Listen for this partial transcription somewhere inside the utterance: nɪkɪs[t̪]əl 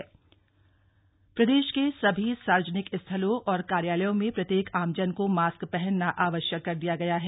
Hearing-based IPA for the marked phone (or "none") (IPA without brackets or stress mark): t̪ʰ